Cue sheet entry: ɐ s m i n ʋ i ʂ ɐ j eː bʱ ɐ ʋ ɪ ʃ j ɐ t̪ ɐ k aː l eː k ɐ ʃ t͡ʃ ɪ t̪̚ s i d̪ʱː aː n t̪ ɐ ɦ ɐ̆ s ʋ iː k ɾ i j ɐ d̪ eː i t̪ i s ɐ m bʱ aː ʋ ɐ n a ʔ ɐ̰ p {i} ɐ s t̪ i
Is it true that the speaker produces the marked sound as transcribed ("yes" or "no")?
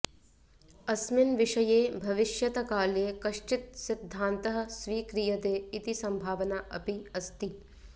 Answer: yes